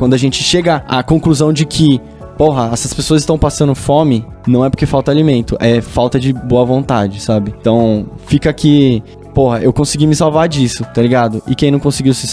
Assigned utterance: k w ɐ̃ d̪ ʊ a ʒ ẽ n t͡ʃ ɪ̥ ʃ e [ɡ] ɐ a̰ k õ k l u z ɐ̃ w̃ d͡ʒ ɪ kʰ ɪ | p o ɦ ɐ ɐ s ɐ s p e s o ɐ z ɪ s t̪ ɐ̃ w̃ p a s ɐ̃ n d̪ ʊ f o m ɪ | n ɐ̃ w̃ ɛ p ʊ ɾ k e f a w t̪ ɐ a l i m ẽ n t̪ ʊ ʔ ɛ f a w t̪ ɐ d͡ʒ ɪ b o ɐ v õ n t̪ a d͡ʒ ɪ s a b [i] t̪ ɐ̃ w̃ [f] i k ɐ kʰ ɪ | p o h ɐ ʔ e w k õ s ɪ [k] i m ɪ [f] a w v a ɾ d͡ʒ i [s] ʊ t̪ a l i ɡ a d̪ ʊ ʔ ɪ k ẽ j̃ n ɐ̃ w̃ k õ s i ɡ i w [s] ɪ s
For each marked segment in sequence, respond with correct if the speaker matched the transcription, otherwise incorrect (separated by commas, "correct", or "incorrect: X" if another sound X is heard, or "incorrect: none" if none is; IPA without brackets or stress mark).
correct, incorrect: ɪ, correct, incorrect: ɡ, incorrect: s, correct, correct